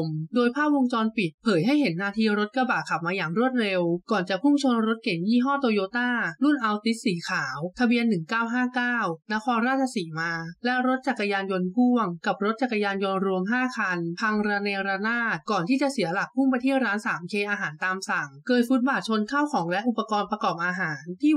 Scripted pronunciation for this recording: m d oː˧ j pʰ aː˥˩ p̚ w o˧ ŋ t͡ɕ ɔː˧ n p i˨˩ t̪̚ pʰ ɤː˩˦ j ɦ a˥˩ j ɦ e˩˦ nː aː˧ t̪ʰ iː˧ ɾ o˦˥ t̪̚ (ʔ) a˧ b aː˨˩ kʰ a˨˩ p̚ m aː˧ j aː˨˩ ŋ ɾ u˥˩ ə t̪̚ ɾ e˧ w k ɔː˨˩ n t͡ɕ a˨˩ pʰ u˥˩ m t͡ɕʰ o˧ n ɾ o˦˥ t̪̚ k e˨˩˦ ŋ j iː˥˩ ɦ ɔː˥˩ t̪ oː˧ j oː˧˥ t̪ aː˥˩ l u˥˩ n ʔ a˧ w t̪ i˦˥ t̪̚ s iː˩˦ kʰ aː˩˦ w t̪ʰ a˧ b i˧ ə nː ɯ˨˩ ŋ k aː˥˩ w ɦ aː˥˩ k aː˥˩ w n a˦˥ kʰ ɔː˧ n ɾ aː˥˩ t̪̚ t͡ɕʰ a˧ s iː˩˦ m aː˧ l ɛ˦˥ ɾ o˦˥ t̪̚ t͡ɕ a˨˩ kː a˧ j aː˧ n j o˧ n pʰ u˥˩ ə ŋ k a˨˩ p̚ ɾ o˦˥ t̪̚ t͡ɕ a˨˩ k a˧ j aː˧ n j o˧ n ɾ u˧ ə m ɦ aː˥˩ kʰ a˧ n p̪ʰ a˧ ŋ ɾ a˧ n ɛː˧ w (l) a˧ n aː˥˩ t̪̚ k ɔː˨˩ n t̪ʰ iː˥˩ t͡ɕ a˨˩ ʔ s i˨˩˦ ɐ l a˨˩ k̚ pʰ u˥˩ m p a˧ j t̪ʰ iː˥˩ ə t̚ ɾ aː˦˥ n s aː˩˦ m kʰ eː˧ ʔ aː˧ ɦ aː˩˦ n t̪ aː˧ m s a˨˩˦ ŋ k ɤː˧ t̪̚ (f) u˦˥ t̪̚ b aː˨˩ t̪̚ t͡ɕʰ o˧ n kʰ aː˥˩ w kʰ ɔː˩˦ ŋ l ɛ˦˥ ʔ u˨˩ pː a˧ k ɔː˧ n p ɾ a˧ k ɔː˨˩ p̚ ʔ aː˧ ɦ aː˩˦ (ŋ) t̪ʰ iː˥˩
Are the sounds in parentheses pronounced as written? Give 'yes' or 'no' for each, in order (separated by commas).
no, no, yes, no